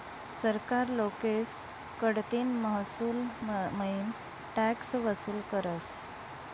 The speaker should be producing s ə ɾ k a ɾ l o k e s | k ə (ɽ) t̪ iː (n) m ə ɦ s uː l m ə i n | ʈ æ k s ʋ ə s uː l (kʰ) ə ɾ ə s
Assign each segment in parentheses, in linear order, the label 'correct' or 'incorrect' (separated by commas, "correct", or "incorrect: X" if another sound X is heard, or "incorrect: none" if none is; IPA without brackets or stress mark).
correct, correct, incorrect: k